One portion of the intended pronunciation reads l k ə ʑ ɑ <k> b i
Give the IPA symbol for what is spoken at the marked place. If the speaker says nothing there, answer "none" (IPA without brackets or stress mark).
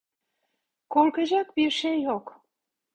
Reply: k